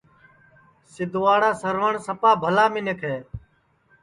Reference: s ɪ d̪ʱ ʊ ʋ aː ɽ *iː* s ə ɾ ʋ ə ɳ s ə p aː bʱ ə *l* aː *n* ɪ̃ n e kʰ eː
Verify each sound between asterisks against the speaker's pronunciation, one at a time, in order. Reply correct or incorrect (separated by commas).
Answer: incorrect, correct, incorrect